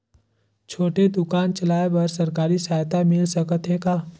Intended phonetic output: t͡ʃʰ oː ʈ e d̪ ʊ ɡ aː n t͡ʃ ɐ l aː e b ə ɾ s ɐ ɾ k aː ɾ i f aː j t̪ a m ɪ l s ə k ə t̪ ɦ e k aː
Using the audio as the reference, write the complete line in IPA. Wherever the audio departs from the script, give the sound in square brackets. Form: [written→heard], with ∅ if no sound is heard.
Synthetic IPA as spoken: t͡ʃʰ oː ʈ e d̪ ʊ [ɡ→k] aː n t͡ʃ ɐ l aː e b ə ɾ s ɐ ɾ k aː ɾ i [f→s] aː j t̪ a m ɪ l s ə k ə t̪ ɦ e k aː